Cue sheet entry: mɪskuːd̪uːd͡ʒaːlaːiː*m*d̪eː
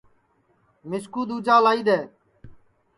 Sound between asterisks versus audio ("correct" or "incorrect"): incorrect